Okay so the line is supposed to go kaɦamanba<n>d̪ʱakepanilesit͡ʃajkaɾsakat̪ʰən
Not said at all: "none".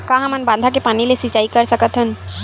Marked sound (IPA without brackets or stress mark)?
n